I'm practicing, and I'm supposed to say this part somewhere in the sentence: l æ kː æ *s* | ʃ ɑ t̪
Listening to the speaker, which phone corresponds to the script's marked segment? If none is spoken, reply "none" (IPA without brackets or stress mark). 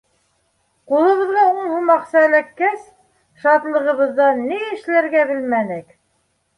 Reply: s